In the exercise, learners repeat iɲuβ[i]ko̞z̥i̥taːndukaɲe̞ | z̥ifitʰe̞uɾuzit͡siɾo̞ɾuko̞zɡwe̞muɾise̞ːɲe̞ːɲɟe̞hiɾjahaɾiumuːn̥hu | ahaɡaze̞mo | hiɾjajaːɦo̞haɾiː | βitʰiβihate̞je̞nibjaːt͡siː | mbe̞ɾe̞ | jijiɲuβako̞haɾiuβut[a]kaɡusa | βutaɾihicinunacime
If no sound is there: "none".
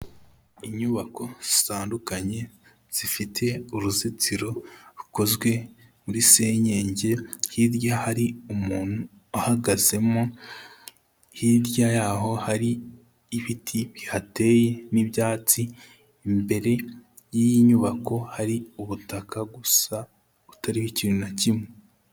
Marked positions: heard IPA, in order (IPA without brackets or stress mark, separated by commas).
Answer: a, a